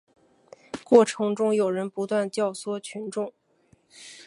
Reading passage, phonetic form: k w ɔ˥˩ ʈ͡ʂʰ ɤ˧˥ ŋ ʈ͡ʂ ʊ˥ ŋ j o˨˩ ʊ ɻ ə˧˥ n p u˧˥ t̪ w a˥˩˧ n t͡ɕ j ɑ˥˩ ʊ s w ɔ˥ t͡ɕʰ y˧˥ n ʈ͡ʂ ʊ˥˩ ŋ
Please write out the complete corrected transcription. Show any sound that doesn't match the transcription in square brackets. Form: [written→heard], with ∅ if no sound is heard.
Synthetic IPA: k w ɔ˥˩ ʈ͡ʂʰ ɤ˧˥ ŋ ʈ͡ʂ ʊ˥ ŋ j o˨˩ ʊ ɻ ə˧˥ n p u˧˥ t̪ w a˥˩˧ n t͡ɕ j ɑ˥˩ ʊ s w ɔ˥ t͡ɕʰ y˧˥ n ʈ͡ʂ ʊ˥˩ ŋ